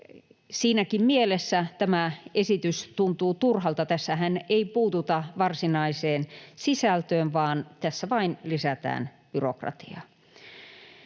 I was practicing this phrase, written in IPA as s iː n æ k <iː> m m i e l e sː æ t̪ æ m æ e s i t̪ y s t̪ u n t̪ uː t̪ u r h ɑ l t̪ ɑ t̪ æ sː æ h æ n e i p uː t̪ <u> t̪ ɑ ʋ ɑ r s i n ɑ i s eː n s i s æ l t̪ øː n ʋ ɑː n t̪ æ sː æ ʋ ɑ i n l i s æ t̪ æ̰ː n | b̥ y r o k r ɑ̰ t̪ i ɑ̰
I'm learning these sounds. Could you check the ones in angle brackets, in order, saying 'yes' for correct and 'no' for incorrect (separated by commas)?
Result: no, yes